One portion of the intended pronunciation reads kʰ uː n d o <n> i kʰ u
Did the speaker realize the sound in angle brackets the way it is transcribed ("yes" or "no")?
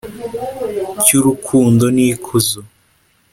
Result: yes